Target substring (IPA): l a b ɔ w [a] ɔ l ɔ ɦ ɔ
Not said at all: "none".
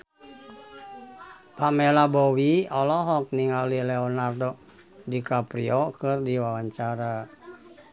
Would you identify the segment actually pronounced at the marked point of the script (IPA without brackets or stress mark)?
i